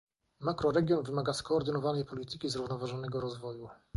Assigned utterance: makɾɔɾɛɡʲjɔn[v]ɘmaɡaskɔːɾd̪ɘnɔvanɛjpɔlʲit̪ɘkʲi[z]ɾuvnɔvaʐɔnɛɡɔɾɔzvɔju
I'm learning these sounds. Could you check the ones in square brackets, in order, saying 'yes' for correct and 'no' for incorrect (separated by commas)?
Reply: yes, yes